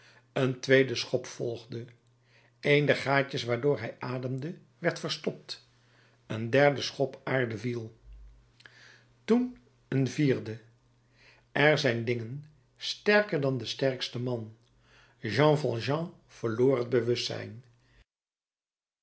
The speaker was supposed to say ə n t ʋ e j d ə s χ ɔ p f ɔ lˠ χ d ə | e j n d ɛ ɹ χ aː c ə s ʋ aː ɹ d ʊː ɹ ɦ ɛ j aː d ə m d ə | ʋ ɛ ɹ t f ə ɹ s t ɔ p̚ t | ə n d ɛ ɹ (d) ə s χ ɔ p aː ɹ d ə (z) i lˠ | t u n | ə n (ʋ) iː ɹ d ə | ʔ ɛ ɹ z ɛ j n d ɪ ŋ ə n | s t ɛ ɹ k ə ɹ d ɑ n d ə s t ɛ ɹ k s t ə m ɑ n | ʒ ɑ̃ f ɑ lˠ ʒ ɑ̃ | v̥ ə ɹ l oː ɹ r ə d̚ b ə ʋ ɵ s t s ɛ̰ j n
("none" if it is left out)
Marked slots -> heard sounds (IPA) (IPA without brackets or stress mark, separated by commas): d, v, v